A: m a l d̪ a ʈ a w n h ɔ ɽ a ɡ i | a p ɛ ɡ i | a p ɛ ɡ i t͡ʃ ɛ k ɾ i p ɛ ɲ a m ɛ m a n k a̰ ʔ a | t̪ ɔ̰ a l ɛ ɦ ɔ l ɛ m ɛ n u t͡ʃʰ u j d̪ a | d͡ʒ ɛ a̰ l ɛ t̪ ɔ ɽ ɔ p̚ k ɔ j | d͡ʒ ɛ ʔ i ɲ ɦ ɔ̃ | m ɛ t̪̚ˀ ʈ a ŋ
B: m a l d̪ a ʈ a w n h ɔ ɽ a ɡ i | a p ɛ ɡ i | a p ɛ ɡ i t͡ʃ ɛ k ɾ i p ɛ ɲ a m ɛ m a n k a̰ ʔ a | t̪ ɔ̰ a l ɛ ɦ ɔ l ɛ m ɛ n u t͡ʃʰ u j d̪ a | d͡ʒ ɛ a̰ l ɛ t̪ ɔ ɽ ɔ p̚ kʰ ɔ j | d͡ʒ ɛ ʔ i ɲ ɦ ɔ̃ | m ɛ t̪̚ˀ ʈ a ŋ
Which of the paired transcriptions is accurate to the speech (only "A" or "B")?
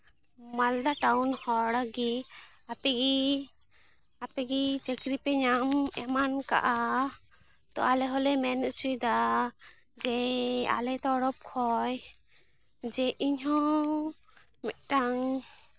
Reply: B